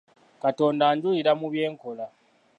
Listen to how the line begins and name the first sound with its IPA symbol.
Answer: k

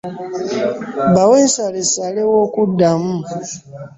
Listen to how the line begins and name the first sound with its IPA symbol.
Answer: b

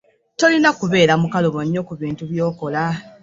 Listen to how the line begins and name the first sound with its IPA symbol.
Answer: t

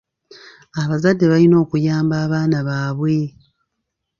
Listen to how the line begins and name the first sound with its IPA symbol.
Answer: a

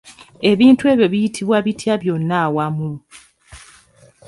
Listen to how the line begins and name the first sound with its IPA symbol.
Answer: e̞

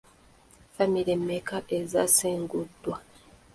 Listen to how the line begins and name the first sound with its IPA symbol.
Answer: f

